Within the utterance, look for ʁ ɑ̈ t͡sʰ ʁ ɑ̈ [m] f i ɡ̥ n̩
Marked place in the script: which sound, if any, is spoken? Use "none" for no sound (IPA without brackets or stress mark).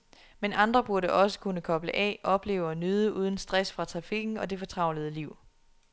none